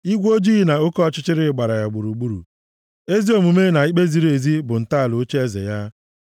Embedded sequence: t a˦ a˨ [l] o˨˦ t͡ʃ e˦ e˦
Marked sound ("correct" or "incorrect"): correct